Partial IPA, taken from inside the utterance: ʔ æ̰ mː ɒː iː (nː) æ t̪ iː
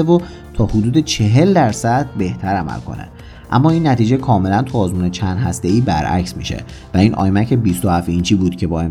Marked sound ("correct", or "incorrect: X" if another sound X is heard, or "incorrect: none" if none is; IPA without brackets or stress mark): correct